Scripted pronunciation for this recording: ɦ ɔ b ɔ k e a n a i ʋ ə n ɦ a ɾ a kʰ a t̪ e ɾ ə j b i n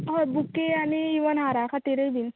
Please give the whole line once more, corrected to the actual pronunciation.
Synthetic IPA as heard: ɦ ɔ b u k e a n i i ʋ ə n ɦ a ɾ a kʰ a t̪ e ɾ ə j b i n